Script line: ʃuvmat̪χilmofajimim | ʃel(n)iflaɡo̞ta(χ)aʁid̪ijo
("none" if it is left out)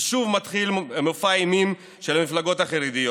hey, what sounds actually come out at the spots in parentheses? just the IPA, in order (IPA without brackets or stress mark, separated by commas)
m, χ